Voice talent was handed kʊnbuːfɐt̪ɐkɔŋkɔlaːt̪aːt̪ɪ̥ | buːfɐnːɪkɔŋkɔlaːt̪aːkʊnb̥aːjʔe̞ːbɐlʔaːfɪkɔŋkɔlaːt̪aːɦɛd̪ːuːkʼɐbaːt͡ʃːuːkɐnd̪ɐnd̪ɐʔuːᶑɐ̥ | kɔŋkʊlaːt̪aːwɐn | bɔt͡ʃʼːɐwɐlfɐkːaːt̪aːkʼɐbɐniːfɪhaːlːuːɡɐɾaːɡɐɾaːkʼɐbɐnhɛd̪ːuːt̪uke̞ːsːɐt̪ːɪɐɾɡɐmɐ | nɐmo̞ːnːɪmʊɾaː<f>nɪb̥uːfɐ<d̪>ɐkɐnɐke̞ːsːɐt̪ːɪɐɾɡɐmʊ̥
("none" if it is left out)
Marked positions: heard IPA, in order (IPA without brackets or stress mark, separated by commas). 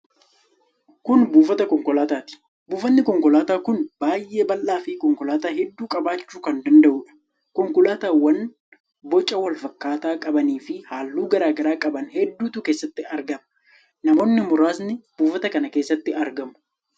s, t̪